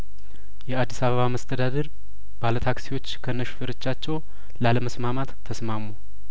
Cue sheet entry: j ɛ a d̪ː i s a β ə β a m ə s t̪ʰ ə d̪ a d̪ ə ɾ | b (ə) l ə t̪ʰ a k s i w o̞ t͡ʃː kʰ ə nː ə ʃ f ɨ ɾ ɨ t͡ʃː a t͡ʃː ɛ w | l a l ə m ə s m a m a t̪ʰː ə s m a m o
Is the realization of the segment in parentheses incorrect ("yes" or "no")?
yes